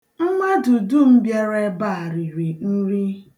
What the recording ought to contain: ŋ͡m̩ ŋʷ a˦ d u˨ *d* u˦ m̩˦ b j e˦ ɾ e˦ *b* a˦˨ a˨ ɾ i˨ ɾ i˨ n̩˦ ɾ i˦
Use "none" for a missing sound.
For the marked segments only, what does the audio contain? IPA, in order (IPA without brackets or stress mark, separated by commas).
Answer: d, b